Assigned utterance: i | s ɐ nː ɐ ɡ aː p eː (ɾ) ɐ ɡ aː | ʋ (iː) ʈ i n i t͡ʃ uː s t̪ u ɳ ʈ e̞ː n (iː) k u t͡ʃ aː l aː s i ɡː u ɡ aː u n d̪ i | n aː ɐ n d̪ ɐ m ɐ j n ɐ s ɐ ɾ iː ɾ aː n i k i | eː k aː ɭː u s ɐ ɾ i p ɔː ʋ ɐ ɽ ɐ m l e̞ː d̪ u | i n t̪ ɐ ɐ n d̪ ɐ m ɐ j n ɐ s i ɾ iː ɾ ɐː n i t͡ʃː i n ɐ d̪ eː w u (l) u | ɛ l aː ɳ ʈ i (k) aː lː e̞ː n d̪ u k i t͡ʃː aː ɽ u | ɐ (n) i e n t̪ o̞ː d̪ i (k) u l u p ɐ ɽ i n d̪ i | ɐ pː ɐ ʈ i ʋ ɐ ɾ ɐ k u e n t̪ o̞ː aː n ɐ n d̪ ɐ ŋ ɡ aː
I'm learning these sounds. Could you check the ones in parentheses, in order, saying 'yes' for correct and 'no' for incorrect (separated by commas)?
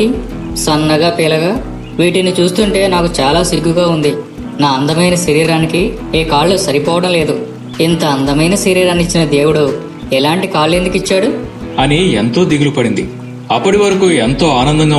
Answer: no, yes, no, no, yes, yes, no